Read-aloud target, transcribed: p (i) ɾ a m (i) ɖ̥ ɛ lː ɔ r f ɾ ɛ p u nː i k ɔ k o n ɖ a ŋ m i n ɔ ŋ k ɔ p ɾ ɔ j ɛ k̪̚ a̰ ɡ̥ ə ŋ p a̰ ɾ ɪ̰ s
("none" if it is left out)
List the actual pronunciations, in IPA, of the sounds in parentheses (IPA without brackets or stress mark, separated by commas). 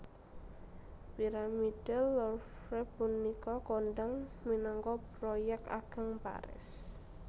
i, i